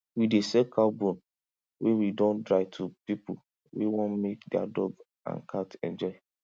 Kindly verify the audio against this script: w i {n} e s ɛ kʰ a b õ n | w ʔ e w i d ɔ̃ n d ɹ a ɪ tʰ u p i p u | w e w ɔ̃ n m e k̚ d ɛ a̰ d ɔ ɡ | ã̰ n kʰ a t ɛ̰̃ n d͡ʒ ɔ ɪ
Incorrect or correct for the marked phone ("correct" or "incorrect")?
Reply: incorrect